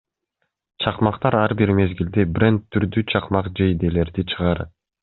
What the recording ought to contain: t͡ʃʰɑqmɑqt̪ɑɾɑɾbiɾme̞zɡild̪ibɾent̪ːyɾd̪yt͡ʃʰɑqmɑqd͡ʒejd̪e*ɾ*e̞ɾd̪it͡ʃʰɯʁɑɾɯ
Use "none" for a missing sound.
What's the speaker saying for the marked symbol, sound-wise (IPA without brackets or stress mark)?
l